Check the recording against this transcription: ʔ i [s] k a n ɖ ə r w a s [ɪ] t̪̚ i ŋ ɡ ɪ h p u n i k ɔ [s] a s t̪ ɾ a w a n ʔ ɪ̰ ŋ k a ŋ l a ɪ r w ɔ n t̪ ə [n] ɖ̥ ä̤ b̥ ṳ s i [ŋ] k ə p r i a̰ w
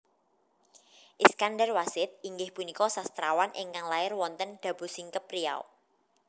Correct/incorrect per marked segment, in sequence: correct, correct, correct, correct, correct

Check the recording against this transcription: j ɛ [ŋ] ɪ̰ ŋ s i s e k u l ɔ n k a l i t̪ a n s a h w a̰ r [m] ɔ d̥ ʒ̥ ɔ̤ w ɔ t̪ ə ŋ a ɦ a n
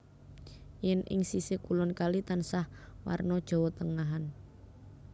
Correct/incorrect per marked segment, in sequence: incorrect: n, incorrect: n

